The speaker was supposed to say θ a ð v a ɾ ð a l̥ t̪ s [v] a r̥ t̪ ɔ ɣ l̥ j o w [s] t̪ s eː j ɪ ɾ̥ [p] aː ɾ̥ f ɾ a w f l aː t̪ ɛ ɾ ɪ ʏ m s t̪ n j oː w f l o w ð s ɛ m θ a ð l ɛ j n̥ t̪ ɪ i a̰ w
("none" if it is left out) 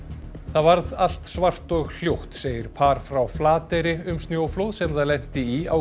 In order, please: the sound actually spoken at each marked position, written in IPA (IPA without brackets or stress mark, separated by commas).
v, h, pʰ